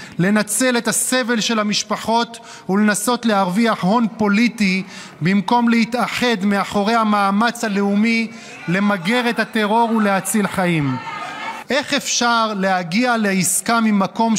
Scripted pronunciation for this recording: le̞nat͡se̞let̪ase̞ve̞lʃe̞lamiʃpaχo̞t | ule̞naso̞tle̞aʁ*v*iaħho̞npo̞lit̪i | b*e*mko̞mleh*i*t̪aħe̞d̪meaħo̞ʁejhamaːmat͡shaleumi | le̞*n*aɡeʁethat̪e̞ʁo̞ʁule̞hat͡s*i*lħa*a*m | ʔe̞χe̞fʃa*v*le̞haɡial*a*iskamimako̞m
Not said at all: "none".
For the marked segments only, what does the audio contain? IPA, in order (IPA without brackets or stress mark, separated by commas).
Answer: v, i, i, m, i, i, ʁ, e